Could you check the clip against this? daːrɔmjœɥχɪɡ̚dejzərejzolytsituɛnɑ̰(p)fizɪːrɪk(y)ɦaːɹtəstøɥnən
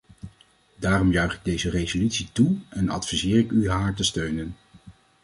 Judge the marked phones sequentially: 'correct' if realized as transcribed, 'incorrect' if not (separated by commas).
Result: incorrect, correct